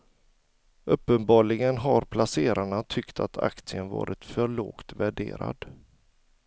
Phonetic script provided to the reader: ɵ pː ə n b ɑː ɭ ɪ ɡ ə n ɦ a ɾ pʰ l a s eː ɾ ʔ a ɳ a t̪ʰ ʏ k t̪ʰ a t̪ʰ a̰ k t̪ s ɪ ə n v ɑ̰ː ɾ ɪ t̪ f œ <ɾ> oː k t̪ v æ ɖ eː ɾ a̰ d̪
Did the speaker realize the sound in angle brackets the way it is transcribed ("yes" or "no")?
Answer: no